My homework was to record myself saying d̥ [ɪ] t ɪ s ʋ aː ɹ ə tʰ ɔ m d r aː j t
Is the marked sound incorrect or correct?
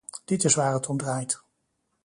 correct